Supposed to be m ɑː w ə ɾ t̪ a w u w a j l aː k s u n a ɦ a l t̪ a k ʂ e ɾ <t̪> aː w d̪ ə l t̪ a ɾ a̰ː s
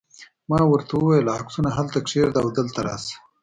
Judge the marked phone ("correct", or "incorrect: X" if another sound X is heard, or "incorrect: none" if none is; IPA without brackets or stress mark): incorrect: d̪